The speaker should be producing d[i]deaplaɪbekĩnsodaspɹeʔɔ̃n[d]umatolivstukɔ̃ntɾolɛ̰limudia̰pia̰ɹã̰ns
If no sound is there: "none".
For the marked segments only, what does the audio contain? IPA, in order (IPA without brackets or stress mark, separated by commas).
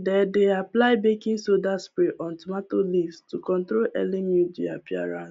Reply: ɛ, t